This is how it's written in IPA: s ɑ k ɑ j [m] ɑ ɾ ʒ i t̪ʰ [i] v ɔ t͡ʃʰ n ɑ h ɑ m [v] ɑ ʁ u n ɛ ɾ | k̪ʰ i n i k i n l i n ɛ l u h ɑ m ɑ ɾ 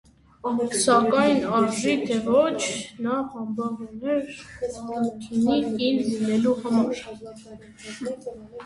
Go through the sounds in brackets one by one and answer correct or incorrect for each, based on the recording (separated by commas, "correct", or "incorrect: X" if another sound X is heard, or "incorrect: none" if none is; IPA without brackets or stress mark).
incorrect: n, incorrect: ɛ, incorrect: b